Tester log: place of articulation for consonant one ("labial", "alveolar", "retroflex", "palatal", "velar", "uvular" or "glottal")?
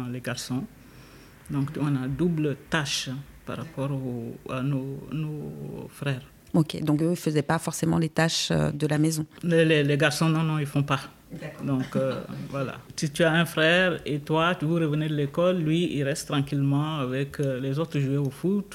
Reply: alveolar